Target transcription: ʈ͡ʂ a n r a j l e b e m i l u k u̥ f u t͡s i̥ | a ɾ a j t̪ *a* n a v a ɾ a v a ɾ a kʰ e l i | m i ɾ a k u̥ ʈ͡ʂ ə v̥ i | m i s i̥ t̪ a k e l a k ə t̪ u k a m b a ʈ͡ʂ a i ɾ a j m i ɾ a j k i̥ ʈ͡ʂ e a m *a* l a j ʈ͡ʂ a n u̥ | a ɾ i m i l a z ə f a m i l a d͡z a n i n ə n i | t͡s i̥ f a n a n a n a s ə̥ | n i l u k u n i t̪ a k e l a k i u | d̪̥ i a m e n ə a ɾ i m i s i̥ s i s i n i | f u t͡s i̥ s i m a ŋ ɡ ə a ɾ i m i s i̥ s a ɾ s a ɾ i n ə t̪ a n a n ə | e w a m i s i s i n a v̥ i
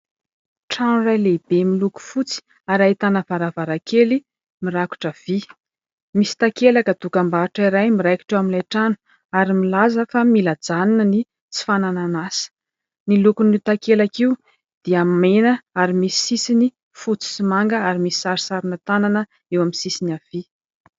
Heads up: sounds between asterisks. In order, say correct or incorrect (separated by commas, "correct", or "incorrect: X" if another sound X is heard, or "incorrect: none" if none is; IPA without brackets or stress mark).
correct, incorrect: i